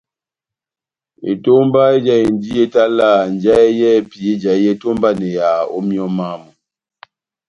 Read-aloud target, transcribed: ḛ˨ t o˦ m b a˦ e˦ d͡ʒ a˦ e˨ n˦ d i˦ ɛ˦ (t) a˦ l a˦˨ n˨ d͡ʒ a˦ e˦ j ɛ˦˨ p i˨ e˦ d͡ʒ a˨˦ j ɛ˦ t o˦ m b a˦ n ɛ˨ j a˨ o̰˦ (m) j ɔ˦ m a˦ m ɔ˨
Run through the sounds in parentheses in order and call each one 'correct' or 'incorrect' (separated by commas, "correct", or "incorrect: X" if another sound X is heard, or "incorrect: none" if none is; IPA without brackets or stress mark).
correct, correct